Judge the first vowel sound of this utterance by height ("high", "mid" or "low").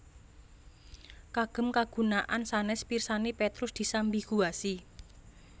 low